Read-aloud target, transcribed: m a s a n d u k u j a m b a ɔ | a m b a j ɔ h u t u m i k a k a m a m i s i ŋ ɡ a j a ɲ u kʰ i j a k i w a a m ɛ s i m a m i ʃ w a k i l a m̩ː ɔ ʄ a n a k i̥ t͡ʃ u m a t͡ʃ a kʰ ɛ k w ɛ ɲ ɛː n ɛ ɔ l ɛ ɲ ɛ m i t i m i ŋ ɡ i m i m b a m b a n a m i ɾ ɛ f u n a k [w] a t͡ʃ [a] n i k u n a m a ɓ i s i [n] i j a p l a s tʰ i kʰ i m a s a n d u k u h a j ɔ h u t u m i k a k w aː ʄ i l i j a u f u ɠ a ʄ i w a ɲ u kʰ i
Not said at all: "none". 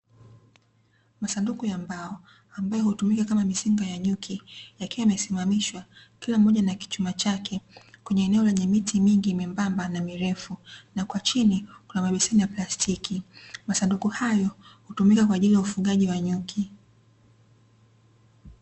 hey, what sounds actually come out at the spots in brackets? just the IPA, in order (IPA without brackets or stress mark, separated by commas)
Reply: w, i, n